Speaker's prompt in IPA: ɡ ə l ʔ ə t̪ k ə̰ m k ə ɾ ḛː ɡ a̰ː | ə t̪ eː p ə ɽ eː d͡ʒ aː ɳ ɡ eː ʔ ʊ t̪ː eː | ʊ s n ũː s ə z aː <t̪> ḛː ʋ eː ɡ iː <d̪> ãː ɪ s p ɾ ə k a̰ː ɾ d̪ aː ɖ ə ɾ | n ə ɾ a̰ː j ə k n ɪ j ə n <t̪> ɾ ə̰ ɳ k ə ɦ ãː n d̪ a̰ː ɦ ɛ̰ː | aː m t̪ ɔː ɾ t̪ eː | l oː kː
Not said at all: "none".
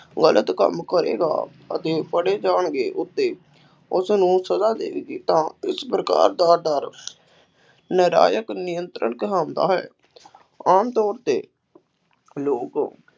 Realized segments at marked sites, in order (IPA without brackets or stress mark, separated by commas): d̪, t̪, t̪